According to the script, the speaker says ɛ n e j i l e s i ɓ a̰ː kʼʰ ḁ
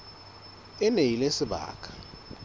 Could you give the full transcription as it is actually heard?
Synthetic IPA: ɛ n e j i l e s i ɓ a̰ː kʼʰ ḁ